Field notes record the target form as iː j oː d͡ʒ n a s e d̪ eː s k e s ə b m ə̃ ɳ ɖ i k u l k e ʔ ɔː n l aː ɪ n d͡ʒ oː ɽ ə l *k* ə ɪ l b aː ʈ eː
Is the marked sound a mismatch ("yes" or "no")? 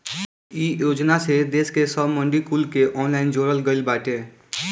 yes